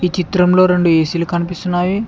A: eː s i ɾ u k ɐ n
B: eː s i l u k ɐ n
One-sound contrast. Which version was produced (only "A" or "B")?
B